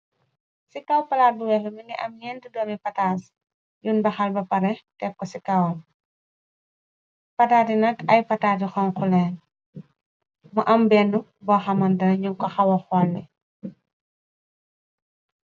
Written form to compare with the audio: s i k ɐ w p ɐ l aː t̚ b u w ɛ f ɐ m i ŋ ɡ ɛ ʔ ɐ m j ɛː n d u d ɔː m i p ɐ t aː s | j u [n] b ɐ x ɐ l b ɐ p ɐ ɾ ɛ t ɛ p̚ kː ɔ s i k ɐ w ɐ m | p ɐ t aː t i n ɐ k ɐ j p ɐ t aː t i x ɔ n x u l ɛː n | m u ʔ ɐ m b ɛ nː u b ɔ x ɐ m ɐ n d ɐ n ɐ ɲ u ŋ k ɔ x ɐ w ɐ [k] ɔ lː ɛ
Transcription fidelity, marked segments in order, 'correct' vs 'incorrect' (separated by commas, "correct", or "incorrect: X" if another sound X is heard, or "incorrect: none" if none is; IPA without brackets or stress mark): correct, incorrect: x